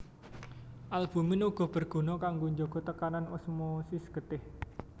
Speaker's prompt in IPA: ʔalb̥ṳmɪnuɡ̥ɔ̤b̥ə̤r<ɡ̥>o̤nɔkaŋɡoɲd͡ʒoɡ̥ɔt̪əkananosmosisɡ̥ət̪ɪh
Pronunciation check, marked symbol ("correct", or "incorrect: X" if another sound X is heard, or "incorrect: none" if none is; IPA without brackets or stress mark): correct